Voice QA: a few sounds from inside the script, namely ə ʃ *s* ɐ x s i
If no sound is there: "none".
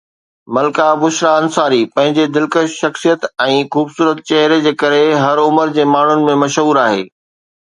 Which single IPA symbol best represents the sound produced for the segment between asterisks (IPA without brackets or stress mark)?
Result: ʃ